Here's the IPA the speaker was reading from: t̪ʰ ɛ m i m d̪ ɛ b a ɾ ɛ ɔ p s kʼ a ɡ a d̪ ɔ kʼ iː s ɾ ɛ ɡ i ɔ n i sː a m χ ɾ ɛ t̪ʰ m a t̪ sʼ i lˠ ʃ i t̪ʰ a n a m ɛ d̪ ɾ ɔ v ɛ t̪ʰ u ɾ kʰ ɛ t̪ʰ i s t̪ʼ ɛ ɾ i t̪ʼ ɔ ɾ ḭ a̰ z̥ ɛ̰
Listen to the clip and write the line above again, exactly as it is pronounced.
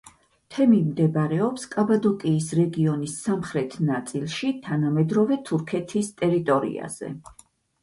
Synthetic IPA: t̪ʰ ɛ m i m d̪ ɛ b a ɾ ɛ ɔ p s kʼ a b a d̪ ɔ kʼ iː s ɾ ɛ ɡ i ɔ n i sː a m χ ɾ ɛ t̪ʰ n a t̪ sʼ i lˠ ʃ i t̪ʰ a n a m ɛ d̪ ɾ ɔ v ɛ t̪ʰ u ɾ kʰ ɛ t̪ʰ i s t̪ʼ ɛ ɾ i t̪ʼ ɔ ɾ ḭ a̰ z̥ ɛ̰